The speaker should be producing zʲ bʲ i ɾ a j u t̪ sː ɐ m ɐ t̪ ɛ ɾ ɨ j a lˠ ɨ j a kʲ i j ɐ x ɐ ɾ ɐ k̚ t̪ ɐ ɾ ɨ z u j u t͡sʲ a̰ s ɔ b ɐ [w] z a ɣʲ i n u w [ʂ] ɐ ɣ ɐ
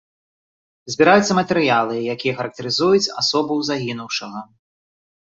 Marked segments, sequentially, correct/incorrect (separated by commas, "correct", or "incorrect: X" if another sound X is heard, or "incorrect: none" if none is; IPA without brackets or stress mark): correct, correct